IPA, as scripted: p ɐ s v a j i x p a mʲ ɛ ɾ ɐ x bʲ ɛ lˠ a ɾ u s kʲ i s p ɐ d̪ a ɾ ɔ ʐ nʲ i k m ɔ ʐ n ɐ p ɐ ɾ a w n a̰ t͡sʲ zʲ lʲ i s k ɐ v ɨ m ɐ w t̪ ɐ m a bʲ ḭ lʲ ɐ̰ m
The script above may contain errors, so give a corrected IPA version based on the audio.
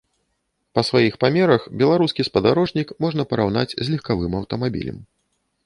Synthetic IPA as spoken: p ɐ s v a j i x p a mʲ ɛ ɾ ɐ x bʲ ɛ lˠ a ɾ u s kʲ i s p ɐ d̪ a ɾ ɔ ʐ nʲ i k m ɔ ʐ n ɐ p ɐ ɾ a w n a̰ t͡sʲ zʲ lʲ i x k a v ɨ m ɐ w t̪ ɐ m a bʲ ḭ lʲ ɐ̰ m